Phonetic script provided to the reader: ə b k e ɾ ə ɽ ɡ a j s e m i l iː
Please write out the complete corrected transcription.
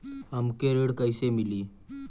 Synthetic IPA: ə m k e ɾ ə ɽ k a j s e m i l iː